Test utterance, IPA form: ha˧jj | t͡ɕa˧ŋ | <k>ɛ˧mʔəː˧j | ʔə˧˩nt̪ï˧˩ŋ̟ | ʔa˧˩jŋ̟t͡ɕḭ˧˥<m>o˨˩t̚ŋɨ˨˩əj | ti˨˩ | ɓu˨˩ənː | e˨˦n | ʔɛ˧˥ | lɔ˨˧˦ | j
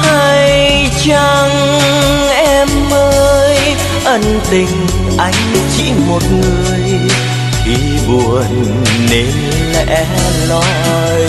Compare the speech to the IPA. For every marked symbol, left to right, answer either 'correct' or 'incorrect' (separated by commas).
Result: incorrect, correct